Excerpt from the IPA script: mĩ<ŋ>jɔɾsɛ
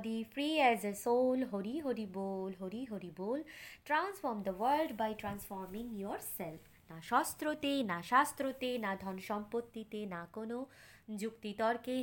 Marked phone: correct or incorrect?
correct